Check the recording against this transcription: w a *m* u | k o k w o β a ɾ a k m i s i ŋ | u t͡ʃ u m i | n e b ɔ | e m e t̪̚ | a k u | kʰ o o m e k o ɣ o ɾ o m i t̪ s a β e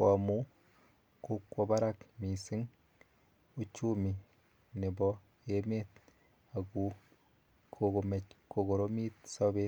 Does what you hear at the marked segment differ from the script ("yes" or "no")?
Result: no